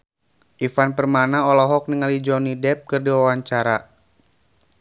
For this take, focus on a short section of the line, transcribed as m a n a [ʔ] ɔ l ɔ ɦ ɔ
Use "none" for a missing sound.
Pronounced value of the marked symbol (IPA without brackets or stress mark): none